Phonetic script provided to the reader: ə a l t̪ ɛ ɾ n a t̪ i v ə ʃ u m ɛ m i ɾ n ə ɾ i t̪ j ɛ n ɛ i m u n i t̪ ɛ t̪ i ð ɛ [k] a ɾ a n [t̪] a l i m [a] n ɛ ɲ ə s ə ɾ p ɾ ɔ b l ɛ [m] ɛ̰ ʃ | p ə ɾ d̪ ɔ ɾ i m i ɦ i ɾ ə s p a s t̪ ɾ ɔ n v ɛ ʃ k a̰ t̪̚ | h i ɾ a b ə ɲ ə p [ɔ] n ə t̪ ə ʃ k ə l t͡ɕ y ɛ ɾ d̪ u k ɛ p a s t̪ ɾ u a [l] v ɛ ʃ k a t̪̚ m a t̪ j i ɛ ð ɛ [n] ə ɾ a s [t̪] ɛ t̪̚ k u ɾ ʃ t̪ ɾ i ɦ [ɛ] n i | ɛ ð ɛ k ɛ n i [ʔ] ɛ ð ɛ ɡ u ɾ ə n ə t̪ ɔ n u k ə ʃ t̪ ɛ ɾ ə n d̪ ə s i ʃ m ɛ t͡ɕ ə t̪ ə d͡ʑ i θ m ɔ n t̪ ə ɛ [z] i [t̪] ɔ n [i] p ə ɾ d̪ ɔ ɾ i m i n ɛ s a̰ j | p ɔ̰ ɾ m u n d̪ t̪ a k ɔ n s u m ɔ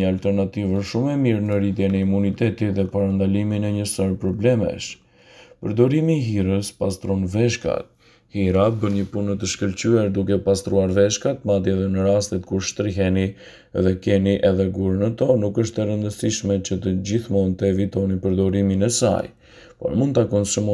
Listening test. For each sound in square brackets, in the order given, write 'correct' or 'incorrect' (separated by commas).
incorrect, incorrect, incorrect, correct, incorrect, incorrect, correct, correct, correct, correct, incorrect, correct, correct